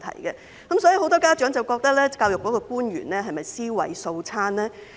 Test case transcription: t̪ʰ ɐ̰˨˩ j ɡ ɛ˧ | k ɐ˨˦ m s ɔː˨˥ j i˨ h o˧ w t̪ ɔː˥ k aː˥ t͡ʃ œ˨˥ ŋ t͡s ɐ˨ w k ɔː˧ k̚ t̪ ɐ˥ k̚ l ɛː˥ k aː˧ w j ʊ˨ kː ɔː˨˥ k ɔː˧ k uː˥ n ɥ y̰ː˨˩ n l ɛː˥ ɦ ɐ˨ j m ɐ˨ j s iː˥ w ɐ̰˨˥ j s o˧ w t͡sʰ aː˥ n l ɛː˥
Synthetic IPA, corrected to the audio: t̪ʰ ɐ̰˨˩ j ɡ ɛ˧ | k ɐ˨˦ m s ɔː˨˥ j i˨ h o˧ w t̪ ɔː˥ k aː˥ t͡ʃ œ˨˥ ŋ t͡s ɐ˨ w k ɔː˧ k̚ t̪ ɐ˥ k̚ l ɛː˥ k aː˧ w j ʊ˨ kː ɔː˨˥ k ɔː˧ k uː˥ n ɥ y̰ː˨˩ n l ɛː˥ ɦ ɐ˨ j m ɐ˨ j s iː˥ w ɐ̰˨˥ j s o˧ w t͡sʰ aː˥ n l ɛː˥